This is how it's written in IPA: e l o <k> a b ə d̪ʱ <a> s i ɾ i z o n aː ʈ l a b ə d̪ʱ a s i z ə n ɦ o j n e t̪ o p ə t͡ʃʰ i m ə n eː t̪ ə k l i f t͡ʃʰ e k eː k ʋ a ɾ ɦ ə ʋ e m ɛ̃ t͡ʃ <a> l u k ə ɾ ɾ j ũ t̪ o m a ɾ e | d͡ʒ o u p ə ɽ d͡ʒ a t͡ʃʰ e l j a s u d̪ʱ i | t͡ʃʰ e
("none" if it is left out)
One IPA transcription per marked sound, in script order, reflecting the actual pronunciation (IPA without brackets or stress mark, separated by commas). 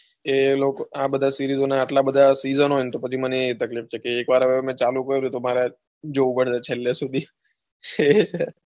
k, a, a